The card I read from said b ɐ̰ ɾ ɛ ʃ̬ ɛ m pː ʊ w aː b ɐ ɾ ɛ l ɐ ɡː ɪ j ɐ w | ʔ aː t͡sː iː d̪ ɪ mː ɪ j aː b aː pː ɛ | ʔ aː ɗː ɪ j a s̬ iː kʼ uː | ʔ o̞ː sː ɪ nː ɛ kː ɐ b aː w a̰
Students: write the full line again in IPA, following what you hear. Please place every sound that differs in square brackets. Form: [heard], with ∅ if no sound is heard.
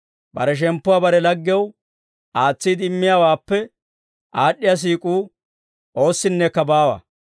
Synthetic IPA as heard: b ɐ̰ ɾ ɛ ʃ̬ ɛ m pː ʊ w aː b ɐ ɾ ɛ l ɐ ɡː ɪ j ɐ w | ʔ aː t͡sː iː d̪ ɪ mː ɪ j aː [w] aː pː ɛ | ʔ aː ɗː ɪ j a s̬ iː kʼ uː | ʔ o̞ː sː ɪ nː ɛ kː ɐ b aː w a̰

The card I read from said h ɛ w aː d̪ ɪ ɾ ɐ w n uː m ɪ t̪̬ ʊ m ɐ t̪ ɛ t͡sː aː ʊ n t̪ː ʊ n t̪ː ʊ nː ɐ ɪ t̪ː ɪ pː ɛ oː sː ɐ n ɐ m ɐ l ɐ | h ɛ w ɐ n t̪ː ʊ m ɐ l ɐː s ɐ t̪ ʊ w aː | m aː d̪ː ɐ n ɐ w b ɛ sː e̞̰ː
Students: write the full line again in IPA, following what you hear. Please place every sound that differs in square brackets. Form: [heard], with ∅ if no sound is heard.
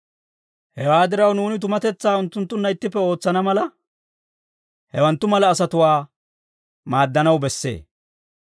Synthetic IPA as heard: h ɛ w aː d̪ ɪ ɾ ɐ w n uː [n] ɪ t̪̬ ʊ m ɐ t̪ ɛ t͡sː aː ʊ n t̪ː ʊ n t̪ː ʊ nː ɐ ɪ t̪ː ɪ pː ɛ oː [t͡sː] ɐ n ɐ m ɐ l ɐ | h ɛ w ɐ n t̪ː ʊ m ɐ l ɐː s ɐ t̪ ʊ w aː | m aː d̪ː ɐ n ɐ w b ɛ sː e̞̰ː

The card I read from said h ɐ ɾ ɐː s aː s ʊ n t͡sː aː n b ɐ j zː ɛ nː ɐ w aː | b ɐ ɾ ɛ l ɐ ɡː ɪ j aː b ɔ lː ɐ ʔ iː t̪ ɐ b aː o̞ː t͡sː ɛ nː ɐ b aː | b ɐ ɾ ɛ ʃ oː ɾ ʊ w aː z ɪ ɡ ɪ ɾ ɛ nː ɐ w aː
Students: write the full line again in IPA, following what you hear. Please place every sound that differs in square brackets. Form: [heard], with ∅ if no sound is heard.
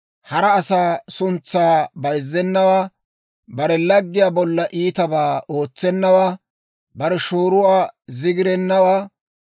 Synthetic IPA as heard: h ɐ ɾ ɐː s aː s ʊ n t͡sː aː [∅] b ɐ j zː ɛ nː ɐ w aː | b ɐ ɾ ɛ l ɐ ɡː ɪ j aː b ɔ lː ɐ ʔ iː t̪ ɐ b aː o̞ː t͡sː ɛ nː ɐ [w] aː | b ɐ ɾ ɛ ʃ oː ɾ ʊ w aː z ɪ ɡ ɪ ɾ ɛ nː ɐ w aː

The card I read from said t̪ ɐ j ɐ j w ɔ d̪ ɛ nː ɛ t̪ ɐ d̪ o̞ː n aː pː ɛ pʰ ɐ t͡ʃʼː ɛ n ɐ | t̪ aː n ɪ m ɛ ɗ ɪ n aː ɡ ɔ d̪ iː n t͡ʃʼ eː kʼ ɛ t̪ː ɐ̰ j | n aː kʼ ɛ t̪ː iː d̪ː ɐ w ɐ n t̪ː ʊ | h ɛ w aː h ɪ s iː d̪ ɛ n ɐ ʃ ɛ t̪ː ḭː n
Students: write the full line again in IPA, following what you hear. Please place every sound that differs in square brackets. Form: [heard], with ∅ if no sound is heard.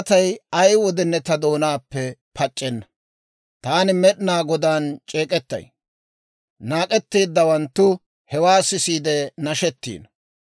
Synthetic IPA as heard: t̪ ɐ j ɐ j w ɔ d̪ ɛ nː ɛ t̪ ɐ d̪ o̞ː n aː pː ɛ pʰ ɐ t͡ʃʼː ɛ [nː] ɐ | t̪ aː n ɪ m ɛ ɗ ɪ n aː ɡ ɔ d̪ [aː] n t͡ʃʼ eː kʼ ɛ t̪ː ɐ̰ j | n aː kʼ ɛ t̪ː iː d̪ː ɐ w ɐ n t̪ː ʊ | h ɛ w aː [s] ɪ s iː d̪ ɛ n ɐ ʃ ɛ t̪ː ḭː n

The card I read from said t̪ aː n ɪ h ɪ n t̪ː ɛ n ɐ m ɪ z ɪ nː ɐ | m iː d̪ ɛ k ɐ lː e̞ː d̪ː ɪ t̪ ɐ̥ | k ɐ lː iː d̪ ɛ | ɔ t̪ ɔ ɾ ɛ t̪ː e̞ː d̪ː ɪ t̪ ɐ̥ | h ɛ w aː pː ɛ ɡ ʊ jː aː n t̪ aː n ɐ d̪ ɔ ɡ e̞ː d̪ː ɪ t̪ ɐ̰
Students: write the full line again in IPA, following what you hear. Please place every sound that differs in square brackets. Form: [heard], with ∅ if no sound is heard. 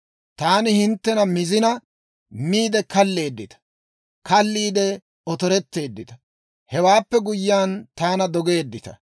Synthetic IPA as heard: t̪ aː n ɪ h ɪ n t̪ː ɛ n ɐ m ɪ z ɪ [n] ɐ | m iː d̪ ɛ k ɐ lː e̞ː d̪ː ɪ t̪ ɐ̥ | k ɐ lː iː d̪ ɛ | ɔ t̪ ɔ ɾ ɛ t̪ː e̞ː d̪ː ɪ t̪ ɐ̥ | h ɛ w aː pː ɛ ɡ ʊ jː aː n t̪ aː n ɐ d̪ ɔ ɡ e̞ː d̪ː ɪ t̪ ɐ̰

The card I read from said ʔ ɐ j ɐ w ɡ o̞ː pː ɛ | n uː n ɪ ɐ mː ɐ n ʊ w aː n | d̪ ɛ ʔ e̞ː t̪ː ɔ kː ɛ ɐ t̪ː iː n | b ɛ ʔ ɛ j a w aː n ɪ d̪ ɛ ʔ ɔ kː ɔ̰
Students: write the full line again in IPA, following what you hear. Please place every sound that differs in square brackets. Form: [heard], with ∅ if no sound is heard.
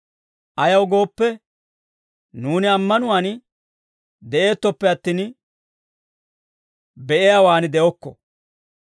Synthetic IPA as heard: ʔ ɐ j ɐ w ɡ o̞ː pː ɛ | n uː n ɪ ɐ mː ɐ n ʊ w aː n | d̪ ɛ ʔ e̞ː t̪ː ɔ [pː] ɛ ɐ t̪ː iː n | b ɛ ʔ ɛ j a w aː n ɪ d̪ ɛ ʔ ɔ kː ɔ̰

